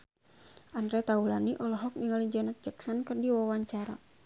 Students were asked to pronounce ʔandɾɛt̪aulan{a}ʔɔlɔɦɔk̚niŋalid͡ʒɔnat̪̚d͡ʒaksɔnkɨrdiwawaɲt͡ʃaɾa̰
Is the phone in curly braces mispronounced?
yes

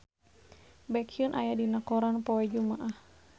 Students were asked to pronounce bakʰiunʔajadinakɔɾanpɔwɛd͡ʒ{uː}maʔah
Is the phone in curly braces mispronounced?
yes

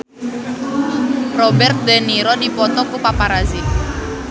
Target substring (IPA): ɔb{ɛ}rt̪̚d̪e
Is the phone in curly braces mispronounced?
no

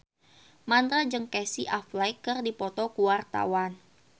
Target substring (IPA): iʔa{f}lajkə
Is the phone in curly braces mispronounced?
no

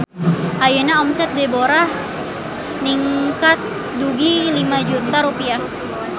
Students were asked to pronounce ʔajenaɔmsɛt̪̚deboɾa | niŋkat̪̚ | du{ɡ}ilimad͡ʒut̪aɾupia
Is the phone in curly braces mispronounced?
no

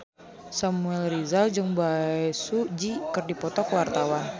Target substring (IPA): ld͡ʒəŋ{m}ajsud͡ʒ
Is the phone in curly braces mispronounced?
yes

